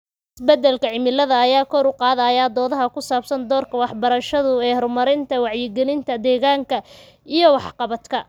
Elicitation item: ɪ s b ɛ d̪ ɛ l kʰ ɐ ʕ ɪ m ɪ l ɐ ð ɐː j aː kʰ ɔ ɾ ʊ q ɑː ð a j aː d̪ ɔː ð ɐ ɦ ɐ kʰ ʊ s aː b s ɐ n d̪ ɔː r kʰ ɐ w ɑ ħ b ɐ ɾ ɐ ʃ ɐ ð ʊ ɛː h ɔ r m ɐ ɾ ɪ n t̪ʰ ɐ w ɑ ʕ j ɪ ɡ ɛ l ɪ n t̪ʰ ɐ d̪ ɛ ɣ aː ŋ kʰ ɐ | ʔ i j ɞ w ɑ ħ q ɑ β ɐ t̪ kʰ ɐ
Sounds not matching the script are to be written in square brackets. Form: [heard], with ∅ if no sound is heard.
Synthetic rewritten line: ɪ s b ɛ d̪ ɛ l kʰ ɐ ʕ ɪ m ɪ l ɐ ð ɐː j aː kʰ ɔ ɾ ʊ q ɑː ð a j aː d̪ ɔː ð ɐ ɦ ɐ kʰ ʊ s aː b s ɐ n d̪ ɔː r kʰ ɐ w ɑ ħ b ɐ ɾ ɐ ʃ ɐ ð ʊ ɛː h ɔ r m ɐ ɾ ɪ n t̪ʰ ɐ w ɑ ʕ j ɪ ɡ ɛ l ɪ n t̪ʰ ɐ d̪ [ɛː] ɣ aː ŋ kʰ ɐ | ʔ i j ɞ w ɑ ħ q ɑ β ɐ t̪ kʰ ɐ